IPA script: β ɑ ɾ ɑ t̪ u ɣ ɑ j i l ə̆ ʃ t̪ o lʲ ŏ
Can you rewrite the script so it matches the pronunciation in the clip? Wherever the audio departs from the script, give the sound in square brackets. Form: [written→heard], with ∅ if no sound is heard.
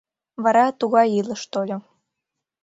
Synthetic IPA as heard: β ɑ ɾ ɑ t̪ u ɣ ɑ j i l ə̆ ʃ t̪ o lʲ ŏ